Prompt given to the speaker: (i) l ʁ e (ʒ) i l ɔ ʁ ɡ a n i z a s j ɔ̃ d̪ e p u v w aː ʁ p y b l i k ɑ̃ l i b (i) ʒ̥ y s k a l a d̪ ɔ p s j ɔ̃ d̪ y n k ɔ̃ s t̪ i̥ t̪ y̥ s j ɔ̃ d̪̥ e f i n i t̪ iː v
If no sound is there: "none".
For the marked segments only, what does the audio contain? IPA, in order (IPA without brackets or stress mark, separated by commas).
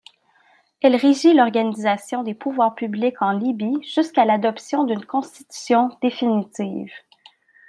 ɛ, ʒ, i